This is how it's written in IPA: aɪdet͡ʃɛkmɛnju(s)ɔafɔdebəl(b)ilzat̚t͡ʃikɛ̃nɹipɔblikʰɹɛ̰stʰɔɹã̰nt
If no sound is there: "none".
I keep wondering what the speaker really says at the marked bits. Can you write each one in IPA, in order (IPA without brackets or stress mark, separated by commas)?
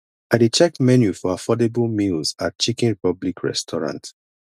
f, m